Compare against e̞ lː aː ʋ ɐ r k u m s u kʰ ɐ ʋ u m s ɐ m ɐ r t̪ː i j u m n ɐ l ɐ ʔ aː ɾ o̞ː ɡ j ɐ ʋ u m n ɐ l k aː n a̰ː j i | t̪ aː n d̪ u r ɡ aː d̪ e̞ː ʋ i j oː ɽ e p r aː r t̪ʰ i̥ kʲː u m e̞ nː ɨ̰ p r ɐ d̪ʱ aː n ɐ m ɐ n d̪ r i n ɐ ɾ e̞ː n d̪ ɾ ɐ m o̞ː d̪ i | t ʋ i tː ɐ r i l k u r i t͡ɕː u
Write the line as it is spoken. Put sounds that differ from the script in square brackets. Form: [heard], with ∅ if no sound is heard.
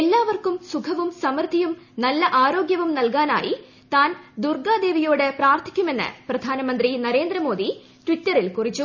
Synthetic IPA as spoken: e̞ lː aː ʋ ɐ r k u m s u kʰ ɐ ʋ u m s ɐ m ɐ r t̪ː i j u m n ɐ [lː] ɐ ʔ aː ɾ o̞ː ɡ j ɐ ʋ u m n ɐ l k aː n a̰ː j i | t̪ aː n d̪ u r ɡ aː d̪ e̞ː ʋ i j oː ɽ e p r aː r t̪ʰ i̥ kʲː u m e̞ nː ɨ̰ p r ɐ d̪ʱ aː n ɐ m ɐ n d̪ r i n ɐ ɾ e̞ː n d̪ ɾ ɐ m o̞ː d̪ i | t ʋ i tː ɐ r i l k u r i t͡ɕː u